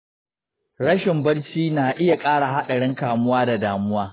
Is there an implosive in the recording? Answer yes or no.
yes